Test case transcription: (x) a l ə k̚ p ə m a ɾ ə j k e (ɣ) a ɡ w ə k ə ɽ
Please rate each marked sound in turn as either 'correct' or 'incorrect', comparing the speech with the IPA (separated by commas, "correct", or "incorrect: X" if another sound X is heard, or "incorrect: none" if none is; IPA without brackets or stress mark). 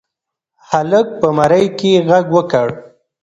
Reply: incorrect: h, correct